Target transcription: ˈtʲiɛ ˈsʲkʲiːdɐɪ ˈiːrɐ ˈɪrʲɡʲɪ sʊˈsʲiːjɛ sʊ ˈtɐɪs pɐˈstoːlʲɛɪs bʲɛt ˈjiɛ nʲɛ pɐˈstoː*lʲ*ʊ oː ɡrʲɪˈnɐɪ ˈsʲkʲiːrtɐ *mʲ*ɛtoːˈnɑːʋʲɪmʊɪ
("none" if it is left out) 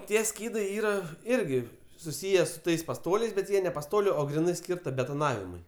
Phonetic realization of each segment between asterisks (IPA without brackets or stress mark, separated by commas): lʲ, bʲ